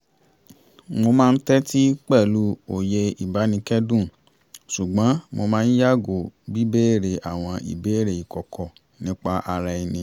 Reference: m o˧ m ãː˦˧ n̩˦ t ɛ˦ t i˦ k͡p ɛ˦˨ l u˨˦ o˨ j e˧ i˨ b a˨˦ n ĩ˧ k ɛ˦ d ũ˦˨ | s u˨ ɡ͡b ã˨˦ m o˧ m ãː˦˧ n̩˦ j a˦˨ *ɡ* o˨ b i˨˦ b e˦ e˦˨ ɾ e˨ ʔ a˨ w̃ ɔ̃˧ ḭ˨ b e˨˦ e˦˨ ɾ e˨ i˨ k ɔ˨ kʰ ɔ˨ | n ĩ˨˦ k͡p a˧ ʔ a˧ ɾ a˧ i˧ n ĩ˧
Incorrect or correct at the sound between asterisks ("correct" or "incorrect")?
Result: correct